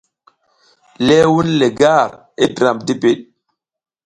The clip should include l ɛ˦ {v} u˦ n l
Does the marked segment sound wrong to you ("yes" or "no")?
yes